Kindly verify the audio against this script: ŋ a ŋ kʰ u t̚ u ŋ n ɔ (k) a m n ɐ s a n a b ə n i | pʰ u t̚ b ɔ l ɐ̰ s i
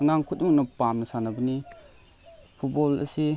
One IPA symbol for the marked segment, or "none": p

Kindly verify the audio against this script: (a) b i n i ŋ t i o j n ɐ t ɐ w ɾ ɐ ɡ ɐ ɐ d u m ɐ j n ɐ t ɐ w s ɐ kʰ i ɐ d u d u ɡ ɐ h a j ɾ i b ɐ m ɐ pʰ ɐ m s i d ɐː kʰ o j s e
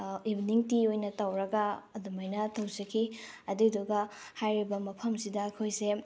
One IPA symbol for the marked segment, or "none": i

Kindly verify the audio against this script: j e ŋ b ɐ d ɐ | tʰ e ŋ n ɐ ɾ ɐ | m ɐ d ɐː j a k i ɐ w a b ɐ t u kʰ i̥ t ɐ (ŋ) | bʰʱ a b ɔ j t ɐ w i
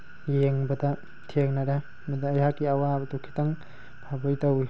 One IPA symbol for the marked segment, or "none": ŋ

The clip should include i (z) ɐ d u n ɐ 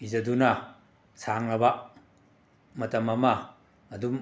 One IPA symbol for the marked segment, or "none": z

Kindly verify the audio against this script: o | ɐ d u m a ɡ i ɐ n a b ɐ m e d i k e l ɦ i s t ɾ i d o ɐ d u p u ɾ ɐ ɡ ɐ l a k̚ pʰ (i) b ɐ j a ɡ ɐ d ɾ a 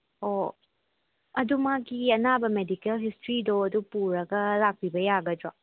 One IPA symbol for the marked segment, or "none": i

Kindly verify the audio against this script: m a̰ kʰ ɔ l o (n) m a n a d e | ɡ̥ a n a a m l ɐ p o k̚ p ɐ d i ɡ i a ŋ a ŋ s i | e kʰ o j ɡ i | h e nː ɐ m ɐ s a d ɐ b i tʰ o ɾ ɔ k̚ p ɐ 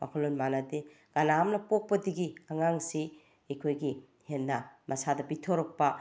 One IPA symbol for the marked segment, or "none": n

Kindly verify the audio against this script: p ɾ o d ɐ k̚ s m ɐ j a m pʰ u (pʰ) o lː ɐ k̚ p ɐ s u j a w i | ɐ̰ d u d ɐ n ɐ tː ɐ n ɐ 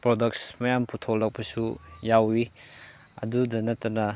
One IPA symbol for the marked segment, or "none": tʰ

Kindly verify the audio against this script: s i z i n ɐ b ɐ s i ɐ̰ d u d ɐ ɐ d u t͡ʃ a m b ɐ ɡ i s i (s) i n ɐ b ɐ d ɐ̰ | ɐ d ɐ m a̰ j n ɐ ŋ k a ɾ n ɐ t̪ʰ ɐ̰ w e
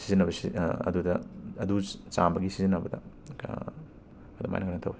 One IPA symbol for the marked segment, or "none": z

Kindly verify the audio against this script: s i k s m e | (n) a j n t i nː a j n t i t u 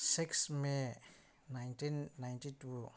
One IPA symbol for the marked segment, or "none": n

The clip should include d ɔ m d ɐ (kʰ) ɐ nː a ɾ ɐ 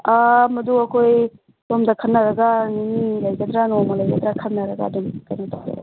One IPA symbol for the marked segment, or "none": kʰ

